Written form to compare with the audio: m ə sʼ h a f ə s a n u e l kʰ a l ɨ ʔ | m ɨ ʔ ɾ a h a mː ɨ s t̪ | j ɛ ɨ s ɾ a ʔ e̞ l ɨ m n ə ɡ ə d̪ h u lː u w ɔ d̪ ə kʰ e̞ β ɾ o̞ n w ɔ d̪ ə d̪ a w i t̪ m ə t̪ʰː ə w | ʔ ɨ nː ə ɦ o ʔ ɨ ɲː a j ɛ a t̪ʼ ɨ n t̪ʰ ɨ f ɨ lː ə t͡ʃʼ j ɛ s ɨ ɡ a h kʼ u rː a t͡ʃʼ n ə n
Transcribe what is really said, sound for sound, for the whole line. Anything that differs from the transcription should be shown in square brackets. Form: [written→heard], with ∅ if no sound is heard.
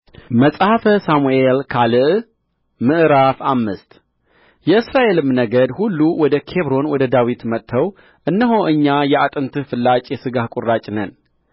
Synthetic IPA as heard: m ə sʼ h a f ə s a [n→m] u e l kʰ a l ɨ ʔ | m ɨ ʔ ɾ a [h→f] a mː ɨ s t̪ | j ɛ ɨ s ɾ a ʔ e̞ l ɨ m n ə ɡ ə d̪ h u lː u w ɔ d̪ ə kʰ e̞ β ɾ o̞ n w ɔ d̪ ə d̪ a w i t̪ m ə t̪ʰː ə w | ʔ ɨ nː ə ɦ o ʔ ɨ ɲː a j ɛ a t̪ʼ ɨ n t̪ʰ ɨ f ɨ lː [ə→a] t͡ʃʼ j ɛ s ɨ ɡ a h kʼ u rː a t͡ʃʼ n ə n